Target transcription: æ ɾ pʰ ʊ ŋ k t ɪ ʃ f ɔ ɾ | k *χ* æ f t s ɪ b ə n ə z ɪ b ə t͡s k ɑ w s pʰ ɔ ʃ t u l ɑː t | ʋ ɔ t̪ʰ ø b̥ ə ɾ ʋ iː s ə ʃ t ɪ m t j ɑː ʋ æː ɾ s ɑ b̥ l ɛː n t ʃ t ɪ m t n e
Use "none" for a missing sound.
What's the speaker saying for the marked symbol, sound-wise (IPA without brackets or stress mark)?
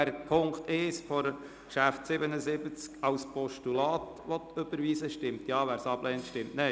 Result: ʃ